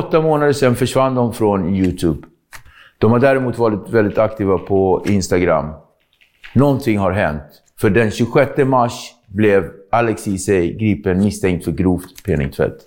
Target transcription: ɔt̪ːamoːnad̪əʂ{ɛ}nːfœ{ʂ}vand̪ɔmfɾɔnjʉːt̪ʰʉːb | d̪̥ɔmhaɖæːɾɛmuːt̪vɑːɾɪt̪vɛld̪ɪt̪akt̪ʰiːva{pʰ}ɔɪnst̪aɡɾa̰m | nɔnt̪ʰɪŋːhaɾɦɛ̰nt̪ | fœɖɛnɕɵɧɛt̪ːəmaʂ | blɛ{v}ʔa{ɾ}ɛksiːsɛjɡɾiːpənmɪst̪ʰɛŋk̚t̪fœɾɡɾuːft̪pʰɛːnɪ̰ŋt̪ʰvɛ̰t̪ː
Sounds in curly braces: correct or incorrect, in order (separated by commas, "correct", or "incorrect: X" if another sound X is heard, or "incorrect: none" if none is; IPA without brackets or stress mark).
correct, correct, correct, correct, incorrect: l